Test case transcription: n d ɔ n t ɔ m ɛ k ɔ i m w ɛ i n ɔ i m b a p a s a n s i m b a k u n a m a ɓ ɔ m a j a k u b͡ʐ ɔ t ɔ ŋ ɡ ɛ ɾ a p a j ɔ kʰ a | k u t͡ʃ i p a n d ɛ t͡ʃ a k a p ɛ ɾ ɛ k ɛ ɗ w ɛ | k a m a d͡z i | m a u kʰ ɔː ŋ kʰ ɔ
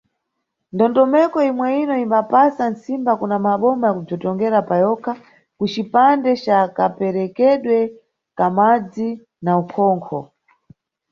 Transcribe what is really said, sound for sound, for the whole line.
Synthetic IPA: n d ɔ n t ɔ m ɛ k ɔ i m w ɛ i n ɔ i m b a p a s a n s i m b a k u n a m a ɓ ɔ m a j a k u b͡ʐ ɔ t ɔ ŋ ɡ ɛ ɾ a p a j ɔ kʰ a | k u t͡ʃ i p a n d ɛ t͡ʃ a k a p ɛ ɾ ɛ k ɛ ɗ w ɛ | k a m a d͡z i | n a u kʰ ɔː ŋ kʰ ɔ